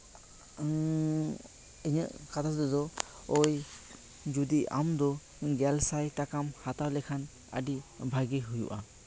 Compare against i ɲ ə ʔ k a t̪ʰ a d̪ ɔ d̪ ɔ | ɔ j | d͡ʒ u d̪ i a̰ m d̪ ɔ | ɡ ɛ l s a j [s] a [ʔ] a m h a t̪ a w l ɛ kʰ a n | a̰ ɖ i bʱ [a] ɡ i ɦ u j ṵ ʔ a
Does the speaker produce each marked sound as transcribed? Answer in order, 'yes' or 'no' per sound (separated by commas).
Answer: no, no, yes